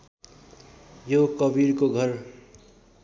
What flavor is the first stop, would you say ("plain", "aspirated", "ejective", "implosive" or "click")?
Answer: plain